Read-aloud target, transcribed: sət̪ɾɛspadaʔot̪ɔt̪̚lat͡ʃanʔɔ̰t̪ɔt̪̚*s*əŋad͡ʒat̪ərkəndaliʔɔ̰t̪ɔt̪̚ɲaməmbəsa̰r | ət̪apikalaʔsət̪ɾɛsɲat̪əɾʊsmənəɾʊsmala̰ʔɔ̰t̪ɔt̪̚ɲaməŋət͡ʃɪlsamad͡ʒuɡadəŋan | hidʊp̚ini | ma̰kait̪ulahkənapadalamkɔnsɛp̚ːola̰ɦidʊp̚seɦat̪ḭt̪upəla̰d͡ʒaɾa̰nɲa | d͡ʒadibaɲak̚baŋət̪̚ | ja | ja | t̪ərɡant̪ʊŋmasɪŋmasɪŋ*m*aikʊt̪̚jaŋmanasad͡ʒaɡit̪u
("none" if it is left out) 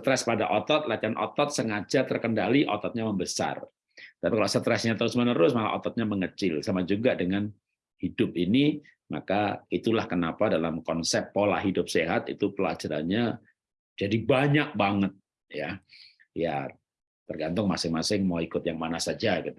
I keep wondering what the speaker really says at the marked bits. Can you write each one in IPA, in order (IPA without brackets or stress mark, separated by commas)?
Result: s, m